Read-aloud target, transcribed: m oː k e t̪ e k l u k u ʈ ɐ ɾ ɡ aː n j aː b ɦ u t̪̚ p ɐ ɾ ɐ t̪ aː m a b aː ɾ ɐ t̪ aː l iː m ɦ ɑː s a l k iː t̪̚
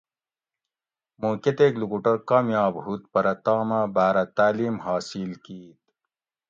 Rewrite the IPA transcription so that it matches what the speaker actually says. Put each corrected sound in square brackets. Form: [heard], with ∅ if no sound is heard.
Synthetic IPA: m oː k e t̪ e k l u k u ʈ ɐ ɾ [k] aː [m] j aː b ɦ u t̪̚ p ɐ ɾ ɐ t̪ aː m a b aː ɾ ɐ t̪ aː l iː m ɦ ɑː s [i] l k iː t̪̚